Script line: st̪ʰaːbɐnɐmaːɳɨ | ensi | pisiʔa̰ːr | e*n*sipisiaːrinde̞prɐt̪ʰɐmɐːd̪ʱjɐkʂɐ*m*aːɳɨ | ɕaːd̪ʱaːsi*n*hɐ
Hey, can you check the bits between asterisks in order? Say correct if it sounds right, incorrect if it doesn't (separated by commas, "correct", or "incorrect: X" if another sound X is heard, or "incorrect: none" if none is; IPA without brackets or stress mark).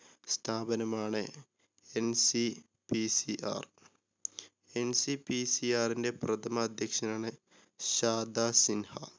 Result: correct, incorrect: n, correct